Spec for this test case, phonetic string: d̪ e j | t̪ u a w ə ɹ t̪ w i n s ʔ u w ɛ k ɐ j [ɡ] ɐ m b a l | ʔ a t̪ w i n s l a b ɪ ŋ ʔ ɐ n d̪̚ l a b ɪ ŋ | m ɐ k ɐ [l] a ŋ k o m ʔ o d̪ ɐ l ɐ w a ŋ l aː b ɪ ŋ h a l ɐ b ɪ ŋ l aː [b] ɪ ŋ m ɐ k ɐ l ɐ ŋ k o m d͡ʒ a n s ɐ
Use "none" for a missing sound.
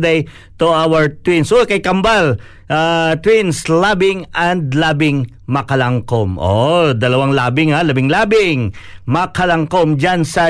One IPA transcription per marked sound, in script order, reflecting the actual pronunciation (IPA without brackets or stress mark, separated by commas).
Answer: k, l, b